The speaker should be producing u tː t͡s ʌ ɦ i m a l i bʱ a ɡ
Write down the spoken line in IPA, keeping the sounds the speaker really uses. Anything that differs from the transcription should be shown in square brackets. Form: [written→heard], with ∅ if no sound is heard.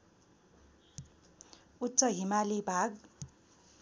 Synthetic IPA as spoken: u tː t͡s ʌ ɦ i m a l i bʱ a ɡ